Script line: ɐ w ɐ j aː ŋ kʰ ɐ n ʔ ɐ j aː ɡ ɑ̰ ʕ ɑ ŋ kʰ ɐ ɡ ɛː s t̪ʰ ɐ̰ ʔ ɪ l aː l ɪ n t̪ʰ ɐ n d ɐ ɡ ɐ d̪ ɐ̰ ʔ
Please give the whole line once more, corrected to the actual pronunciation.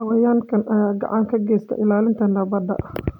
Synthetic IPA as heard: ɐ w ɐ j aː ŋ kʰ ɐ n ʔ ɐ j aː ɡ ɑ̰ ʕ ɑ ŋ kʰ ɐ ɡ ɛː s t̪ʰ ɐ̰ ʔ ɪ l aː l ɪ n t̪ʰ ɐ n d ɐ b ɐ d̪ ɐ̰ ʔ